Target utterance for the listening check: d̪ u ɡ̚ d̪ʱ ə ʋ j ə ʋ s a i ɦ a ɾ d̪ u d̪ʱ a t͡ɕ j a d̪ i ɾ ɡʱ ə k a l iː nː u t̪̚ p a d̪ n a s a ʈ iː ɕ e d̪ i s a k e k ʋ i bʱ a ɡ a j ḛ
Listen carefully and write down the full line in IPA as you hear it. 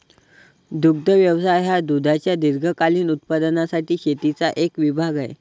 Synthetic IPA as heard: d̪ u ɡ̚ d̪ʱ ə ʋ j ə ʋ s a j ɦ a d̪ u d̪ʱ a t͡ɕ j a d̪ i ɾ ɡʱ ə k a l iː n u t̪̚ p a d̪ n a s a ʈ iː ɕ e t̪ i t͡s a ʔ e k ʋ i bʱ a ɡ a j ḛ